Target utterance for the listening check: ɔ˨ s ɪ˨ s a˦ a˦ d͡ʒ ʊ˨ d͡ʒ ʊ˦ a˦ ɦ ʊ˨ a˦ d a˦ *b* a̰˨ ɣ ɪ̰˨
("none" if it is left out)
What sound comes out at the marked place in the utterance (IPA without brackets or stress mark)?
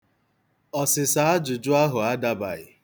b